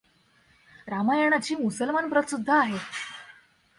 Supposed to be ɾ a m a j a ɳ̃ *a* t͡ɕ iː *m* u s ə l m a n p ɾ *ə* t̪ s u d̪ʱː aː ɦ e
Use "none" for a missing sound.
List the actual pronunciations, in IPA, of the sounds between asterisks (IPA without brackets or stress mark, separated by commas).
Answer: a, m, ə